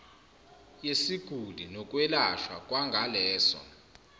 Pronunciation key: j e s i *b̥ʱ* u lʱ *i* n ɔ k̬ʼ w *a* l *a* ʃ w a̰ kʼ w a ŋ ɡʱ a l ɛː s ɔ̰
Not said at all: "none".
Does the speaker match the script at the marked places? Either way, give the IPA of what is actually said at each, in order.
ɡ̥ʱ, i, ɛ, a

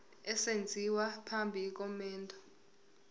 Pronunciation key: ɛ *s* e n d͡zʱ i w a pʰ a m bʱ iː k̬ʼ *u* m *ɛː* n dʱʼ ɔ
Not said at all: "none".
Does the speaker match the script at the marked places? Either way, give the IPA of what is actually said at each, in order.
s, ɔ, ɛː

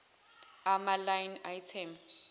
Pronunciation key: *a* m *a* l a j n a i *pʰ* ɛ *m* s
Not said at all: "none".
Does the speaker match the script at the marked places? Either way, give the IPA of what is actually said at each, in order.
a, a, tʰ, m

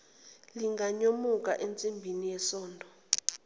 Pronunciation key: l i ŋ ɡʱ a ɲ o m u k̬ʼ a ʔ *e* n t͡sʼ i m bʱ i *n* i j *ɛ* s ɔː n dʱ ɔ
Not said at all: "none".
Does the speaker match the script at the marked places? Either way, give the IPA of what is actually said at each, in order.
e, n, ɛ

